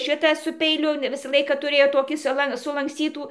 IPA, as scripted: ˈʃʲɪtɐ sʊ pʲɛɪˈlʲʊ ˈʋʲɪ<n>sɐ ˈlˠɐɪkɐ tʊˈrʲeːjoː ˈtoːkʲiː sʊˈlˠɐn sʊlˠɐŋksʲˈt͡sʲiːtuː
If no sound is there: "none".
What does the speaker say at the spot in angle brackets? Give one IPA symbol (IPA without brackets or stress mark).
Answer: none